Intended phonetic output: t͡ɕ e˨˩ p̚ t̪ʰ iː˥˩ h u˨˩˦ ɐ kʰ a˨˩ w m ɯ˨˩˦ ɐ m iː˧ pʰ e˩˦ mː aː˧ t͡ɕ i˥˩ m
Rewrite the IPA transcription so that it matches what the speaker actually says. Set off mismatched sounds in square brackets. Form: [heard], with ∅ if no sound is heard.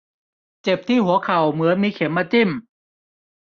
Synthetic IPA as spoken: t͡ɕ e˨˩ p̚ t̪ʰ iː˥˩ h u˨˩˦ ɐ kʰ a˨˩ w m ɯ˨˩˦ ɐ m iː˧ [kʰ] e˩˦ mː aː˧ t͡ɕ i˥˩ m